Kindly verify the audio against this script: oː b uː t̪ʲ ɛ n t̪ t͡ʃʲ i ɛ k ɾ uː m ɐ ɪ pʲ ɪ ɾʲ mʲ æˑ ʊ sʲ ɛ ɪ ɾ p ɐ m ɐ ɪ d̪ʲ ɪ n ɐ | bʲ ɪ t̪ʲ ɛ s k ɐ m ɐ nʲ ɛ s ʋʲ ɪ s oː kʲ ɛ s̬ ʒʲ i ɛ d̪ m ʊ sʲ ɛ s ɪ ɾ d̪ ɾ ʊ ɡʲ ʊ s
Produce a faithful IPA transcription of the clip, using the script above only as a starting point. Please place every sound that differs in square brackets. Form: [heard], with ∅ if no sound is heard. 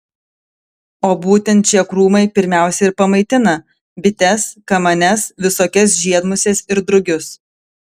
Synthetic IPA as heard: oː b uː t̪ʲ ɛ n t̪ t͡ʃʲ i ɛ k ɾ uː m ɐ ɪ pʲ ɪ ɾʲ mʲ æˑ ʊ sʲ ɛ ɪ ɾ p ɐ m ɐ ɪ [t̪ʲ] ɪ n ɐ | bʲ ɪ t̪ʲ ɛ s k ɐ m ɐ nʲ ɛ s ʋʲ ɪ s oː kʲ ɛ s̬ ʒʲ i ɛ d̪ m ʊ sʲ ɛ s ɪ ɾ d̪ ɾ ʊ ɡʲ ʊ s